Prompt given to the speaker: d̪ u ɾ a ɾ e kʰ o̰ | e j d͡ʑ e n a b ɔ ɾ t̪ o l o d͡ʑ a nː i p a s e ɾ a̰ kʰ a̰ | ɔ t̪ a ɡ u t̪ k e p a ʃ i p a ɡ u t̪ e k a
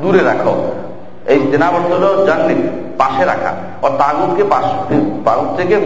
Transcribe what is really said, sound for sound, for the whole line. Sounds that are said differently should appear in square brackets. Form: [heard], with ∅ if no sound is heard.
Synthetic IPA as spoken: d̪ u ɾ [e] ɾ [a] kʰ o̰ | e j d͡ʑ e n a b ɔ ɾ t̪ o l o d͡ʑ a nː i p a [ʃ] e ɾ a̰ kʰ a̰ | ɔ t̪ a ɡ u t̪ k e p a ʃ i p a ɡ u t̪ e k [e]